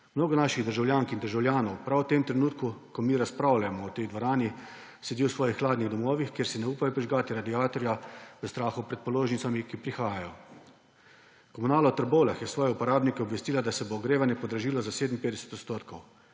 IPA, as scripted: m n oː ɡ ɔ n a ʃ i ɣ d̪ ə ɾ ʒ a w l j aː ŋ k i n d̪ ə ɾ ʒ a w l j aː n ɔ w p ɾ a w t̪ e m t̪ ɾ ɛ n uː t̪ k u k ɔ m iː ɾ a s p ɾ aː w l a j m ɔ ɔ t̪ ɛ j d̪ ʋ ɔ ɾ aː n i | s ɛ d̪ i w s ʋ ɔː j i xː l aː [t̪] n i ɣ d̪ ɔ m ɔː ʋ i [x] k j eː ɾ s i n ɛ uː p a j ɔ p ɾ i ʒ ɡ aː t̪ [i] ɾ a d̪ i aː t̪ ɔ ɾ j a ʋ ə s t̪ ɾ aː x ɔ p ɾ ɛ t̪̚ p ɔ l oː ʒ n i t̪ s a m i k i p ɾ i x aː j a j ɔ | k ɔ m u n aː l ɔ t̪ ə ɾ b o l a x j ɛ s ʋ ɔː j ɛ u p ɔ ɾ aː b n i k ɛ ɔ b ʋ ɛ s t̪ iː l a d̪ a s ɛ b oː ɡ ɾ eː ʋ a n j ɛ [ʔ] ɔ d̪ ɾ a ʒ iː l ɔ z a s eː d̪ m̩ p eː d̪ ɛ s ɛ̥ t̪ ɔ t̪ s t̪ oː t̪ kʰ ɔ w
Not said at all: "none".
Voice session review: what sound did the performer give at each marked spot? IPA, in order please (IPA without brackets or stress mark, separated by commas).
d̪, x, i, p